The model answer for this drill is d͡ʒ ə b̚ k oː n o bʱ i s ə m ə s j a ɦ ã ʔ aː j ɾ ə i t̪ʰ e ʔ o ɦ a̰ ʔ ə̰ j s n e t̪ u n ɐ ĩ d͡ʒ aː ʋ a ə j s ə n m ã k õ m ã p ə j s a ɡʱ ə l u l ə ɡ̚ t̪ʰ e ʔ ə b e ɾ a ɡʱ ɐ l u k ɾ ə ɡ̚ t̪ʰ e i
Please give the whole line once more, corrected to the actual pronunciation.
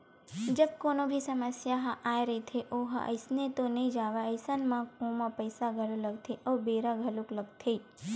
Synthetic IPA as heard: d͡ʒ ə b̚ k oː n o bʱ i s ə m ə s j a ɦ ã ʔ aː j ɾ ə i t̪ʰ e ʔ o ɦ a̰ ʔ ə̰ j s n e t̪ o n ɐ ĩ d͡ʒ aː ʋ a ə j s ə n m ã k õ m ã p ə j s a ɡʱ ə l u l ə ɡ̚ t̪ʰ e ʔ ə b e ɾ a ɡʱ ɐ l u k l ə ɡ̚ t̪ʰ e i